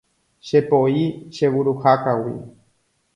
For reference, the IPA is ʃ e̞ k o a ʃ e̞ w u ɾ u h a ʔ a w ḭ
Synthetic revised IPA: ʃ e̞ p o i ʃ e̞ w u ɾ u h a k a w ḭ